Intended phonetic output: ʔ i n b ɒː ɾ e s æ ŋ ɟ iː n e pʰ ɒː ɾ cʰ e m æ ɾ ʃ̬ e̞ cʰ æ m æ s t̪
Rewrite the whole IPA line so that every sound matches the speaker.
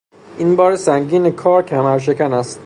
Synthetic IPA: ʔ i n b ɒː ɾ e s æ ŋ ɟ iː n e kʰ ɒː ɾ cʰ æ m æ ɾ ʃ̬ e̞ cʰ æ n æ s t̪